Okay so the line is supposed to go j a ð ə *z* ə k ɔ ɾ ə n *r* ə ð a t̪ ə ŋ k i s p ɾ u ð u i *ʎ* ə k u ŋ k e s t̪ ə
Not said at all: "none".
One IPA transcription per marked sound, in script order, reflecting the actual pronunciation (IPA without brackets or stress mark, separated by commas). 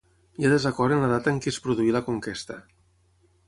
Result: z, l, l